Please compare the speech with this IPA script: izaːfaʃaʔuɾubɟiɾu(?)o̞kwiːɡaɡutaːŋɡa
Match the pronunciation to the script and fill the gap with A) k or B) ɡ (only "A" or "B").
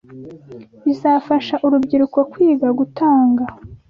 A